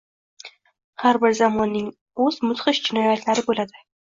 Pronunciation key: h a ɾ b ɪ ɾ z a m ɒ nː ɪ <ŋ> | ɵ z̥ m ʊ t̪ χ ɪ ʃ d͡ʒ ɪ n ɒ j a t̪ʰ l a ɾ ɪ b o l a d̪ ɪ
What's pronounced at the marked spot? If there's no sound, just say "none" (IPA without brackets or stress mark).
ŋ